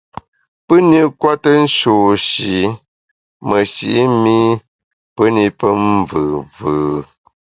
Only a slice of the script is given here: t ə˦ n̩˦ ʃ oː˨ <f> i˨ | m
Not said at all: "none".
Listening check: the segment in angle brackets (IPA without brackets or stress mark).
ʃ